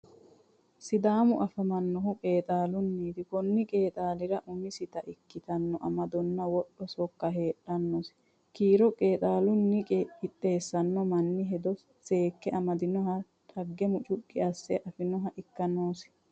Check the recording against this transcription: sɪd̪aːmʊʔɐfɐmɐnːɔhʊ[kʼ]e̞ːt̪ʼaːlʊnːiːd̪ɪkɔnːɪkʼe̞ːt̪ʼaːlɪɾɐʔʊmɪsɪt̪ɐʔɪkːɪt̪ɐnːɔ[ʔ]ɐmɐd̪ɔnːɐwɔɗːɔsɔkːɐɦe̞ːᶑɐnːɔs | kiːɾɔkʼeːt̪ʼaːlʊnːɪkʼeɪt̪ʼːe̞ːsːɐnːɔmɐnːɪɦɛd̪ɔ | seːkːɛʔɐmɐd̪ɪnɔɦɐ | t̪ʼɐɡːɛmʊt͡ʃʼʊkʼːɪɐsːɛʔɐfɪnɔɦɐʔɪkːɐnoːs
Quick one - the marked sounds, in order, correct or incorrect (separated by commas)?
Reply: correct, correct